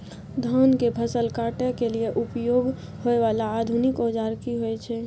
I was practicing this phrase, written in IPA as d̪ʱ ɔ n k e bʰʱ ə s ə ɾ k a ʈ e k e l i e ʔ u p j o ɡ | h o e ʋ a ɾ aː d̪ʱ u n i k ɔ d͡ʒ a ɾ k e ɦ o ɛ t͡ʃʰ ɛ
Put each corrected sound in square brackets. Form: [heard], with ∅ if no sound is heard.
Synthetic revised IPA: d̪ʱ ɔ n k e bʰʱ ə s ə [l] k a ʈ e k e l i e ʔ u p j o ɡ | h o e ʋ a [l] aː d̪ʱ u n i k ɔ d͡ʒ a ɾ k [i] ɦ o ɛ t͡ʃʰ ɛ